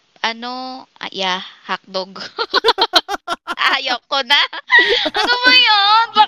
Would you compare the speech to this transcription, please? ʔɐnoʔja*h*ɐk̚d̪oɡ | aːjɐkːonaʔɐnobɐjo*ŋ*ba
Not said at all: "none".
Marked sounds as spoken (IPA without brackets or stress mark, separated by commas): h, n